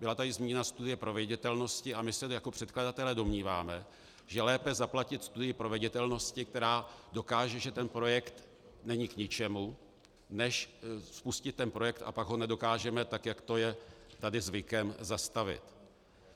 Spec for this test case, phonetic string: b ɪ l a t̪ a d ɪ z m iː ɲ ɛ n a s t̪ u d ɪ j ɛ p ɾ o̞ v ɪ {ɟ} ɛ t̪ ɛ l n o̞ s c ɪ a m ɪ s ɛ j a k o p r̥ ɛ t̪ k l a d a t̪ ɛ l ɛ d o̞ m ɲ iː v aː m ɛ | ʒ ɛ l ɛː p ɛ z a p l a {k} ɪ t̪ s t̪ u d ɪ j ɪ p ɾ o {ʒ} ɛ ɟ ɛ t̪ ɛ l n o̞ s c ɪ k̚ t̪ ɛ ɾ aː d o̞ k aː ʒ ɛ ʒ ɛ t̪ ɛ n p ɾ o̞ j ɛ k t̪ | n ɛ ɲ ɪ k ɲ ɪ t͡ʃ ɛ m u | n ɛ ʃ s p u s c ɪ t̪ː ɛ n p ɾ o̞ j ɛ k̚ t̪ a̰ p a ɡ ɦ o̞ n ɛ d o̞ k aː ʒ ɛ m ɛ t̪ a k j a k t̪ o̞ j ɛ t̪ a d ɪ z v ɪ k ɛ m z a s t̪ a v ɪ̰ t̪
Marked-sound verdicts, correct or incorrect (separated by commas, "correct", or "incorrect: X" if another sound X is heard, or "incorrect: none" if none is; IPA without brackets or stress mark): correct, incorrect: c, incorrect: v